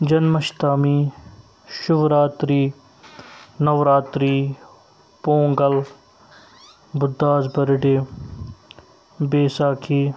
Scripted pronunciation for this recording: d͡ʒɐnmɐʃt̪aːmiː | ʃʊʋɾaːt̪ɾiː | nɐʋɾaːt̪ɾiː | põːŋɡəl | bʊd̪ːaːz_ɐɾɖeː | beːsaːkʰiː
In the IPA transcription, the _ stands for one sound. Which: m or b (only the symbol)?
b